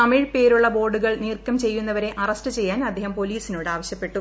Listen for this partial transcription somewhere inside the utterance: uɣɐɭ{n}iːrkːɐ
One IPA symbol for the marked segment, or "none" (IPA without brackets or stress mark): n